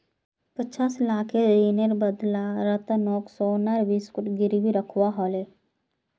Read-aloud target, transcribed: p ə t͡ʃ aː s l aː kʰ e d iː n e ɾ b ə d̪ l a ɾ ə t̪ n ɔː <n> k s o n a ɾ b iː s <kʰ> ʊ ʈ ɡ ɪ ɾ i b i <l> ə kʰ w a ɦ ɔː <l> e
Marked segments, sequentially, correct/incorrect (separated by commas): incorrect, incorrect, incorrect, correct